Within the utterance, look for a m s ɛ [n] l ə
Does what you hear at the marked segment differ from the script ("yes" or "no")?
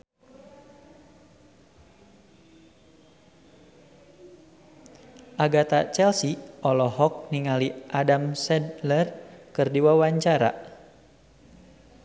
yes